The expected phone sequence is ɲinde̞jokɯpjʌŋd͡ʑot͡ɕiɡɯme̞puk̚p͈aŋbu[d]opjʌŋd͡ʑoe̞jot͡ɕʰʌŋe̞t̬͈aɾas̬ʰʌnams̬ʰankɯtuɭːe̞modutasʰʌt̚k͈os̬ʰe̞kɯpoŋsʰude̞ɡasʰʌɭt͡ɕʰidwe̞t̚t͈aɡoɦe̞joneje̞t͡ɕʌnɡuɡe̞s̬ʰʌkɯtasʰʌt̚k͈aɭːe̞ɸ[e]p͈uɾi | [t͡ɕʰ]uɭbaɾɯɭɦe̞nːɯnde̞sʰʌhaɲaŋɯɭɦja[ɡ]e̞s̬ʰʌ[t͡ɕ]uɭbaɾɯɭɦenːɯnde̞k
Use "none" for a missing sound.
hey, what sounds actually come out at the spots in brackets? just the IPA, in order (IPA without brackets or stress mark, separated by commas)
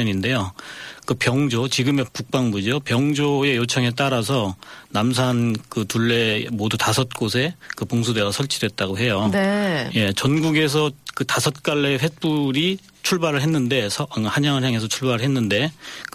d͡ʑ, e, t͡ɕʰ, ŋ, t͡ɕʰ